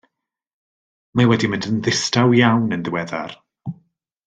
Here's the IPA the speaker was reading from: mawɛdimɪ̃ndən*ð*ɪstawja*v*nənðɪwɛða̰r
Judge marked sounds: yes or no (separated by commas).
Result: yes, no